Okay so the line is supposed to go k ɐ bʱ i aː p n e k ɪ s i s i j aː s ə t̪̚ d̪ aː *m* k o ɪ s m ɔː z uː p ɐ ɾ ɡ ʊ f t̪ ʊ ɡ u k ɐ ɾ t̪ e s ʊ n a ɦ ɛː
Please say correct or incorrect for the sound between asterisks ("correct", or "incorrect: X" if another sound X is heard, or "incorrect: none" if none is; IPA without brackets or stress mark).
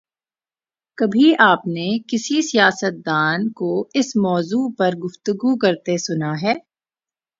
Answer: incorrect: n